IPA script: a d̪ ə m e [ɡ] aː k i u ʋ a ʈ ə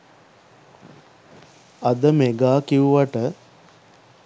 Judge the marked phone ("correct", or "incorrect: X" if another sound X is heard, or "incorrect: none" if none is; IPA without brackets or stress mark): correct